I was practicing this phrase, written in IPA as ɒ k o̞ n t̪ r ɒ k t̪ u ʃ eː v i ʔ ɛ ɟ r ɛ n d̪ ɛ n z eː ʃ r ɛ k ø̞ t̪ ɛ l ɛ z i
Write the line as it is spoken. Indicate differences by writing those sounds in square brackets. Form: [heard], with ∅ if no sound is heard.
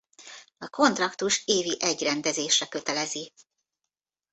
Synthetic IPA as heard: ɒ k o̞ n t̪ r ɒ k t̪ u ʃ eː v i ʔ ɛ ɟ r ɛ n d̪ ɛ [∅] z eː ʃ r ɛ k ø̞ t̪ ɛ l ɛ z i